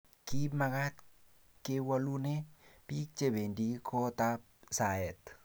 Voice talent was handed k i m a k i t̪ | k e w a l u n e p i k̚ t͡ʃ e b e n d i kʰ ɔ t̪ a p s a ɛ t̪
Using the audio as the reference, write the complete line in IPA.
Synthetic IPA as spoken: k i m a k a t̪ | k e w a l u n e p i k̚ t͡ʃ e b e n d i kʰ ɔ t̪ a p s a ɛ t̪